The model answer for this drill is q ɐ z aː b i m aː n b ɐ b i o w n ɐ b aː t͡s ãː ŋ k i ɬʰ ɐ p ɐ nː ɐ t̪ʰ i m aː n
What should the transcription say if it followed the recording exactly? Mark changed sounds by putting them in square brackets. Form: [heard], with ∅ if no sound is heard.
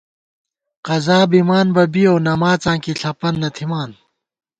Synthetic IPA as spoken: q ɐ z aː b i m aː n b ɐ b i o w n ɐ [m] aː t͡s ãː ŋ k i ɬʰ ɐ p ɐ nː ɐ t̪ʰ i m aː n